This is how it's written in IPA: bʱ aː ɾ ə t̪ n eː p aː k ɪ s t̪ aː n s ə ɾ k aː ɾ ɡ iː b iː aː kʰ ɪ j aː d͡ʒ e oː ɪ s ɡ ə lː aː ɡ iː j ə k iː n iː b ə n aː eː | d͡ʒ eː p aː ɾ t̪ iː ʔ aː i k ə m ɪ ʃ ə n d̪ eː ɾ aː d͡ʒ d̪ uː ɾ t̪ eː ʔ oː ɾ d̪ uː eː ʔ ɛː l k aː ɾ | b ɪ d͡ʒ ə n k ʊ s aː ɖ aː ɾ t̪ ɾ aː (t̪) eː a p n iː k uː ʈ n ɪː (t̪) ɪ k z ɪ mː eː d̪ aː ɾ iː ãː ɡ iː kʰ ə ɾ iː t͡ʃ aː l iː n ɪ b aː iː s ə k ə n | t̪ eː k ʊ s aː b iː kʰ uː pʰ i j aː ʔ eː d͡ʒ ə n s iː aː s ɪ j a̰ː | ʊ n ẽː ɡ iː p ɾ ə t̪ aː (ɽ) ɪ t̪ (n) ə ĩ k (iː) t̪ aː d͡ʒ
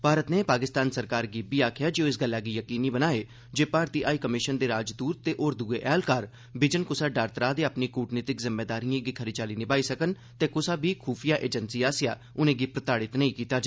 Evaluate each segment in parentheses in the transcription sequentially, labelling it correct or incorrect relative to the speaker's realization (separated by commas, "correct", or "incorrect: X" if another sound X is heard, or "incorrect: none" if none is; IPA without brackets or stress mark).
incorrect: d̪, correct, correct, correct, correct